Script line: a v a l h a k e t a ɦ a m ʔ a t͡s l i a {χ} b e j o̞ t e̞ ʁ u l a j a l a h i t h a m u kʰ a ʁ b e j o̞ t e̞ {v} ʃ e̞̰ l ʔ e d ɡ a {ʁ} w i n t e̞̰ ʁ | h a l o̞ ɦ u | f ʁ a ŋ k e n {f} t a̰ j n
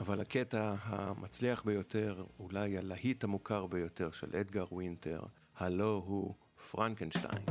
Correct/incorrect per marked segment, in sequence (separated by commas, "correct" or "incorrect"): correct, incorrect, correct, incorrect